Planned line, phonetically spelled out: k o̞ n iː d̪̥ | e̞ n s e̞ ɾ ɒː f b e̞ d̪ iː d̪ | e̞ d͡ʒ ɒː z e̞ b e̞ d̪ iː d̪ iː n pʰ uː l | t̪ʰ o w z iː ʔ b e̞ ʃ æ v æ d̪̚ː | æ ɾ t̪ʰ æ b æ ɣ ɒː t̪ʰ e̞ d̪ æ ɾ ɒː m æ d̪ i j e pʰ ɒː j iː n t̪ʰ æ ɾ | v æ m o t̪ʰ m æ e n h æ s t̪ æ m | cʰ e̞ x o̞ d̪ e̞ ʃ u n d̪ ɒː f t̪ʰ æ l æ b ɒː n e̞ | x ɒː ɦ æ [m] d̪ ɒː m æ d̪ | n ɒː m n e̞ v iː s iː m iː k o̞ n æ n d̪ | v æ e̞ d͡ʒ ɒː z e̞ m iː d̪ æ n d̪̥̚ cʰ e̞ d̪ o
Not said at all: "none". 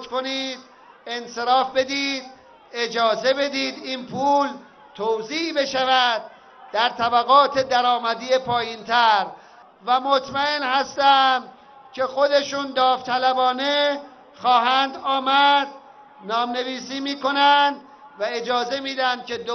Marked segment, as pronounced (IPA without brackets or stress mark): n